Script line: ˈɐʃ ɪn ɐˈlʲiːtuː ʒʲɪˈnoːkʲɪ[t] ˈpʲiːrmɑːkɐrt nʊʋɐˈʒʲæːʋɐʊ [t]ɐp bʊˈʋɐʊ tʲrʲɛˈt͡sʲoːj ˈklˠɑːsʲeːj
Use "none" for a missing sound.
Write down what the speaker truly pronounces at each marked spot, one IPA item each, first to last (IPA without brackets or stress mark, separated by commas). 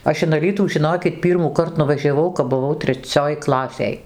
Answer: t, k